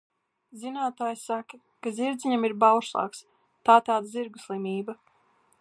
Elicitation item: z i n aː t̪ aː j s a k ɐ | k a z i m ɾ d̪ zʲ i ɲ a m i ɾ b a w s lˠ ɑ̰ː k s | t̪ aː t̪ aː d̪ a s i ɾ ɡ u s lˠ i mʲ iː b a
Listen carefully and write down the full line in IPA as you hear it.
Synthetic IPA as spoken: z i n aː t̪ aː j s a k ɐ | k a z i ɾ d̪ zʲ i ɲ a m i ɾ b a w ʃ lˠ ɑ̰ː k s | t̪ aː t̪ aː d̪ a z i ɾ ɡ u s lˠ i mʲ iː b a